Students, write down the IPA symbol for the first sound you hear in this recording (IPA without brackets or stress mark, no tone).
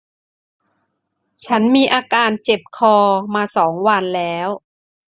t͡ɕʰ